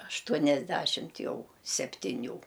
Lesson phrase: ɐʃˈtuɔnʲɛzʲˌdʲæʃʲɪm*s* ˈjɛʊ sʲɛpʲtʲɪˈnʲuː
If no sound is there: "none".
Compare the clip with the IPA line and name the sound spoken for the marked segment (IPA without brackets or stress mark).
t